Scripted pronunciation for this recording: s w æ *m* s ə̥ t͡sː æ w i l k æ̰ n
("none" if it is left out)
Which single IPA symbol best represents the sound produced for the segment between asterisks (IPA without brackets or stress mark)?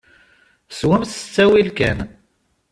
m